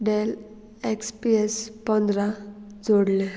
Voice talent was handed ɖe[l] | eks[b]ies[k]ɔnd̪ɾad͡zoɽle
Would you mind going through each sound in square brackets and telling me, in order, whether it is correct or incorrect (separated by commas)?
correct, incorrect, incorrect